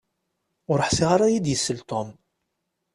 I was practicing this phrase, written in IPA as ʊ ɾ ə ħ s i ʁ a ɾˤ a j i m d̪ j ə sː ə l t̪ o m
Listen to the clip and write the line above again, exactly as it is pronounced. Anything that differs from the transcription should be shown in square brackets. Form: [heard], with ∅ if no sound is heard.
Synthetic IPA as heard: ʊ ɾ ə ħ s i ʁ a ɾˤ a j i [∅] d̪ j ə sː ə l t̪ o m